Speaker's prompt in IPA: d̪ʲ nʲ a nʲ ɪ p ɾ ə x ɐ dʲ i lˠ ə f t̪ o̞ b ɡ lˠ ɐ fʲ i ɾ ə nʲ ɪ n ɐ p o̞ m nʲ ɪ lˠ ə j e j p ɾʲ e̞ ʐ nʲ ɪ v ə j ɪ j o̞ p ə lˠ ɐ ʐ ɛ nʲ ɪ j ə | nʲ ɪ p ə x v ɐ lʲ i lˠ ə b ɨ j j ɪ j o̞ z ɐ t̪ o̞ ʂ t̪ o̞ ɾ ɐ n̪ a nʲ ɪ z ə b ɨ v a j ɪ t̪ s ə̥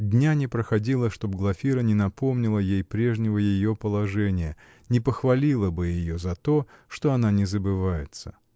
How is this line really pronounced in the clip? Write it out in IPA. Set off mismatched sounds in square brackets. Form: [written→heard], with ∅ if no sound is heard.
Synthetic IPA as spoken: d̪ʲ nʲ a nʲ ɪ p ɾ ə x ɐ dʲ i lˠ ə [f→ʂ] t̪ o̞ b ɡ lˠ ɐ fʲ i ɾ ə nʲ ɪ n ɐ p o̞ m nʲ ɪ lˠ ə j e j p ɾʲ e̞ ʐ nʲ ɪ v ə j ɪ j o̞ p ə lˠ ɐ ʐ ɛ nʲ ɪ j ə | nʲ ɪ p ə x v ɐ lʲ i lˠ ə b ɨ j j ɪ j o̞ z ɐ t̪ o̞ ʂ t̪ o̞ [ɾ→∅] ɐ n̪ a nʲ ɪ z ə b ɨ v a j ɪ t̪ s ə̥